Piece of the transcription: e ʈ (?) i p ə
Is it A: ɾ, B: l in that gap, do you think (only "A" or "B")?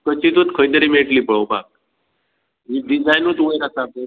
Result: B